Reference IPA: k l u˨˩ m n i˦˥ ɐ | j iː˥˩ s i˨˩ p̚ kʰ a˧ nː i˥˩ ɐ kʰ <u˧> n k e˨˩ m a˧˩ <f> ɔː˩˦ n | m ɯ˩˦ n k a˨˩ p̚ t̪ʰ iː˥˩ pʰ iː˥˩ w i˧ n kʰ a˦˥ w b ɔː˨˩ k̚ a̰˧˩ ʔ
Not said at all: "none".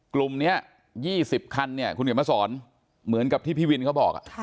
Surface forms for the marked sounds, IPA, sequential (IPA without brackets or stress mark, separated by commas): u˧, s